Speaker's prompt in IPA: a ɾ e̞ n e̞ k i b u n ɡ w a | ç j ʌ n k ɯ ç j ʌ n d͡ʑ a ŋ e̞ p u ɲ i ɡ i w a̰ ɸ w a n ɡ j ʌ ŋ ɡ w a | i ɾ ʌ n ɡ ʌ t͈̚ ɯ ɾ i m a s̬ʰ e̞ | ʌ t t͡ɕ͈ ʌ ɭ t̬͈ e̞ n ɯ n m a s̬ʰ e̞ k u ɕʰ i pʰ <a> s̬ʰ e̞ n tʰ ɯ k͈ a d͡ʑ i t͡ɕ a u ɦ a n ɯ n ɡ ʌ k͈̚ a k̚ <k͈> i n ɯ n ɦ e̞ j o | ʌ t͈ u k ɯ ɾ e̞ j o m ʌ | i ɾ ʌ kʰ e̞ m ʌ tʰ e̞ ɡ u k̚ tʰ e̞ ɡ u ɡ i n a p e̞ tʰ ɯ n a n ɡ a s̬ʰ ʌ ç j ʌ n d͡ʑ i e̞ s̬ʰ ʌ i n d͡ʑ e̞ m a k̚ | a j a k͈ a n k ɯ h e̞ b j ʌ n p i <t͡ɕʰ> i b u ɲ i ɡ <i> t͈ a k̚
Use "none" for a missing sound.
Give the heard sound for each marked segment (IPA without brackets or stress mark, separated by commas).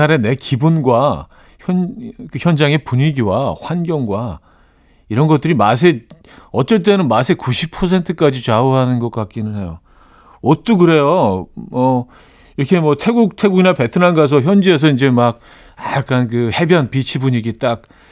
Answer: ʌ, k͈, t͡ɕʰ, i